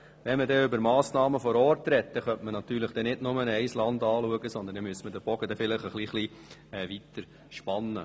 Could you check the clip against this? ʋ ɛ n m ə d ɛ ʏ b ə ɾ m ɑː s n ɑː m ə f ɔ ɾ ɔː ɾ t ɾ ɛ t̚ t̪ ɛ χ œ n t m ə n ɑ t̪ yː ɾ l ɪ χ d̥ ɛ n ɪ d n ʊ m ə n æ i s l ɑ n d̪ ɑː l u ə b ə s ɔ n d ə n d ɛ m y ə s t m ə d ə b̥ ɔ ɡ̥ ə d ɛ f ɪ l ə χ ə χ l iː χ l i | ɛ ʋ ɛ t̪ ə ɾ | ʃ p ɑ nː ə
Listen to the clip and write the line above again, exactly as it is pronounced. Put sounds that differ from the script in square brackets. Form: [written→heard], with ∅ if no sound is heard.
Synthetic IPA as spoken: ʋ ɛ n m ə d ɛ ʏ b ə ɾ m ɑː s n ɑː m ə f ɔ ɾ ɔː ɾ t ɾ ɛ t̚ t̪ ɛ χ œ n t m ə n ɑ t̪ yː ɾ l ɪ χ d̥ ɛ n ɪ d n ʊ m ə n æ [i→ɪ] s l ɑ n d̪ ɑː l u ə [b→ɡ] ə s ɔ n d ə n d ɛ m y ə s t m ə d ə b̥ ɔ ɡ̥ ə d ɛ f ɪ l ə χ ə χ l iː χ l i | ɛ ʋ [ɛ→i] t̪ ə ɾ | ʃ p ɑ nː ə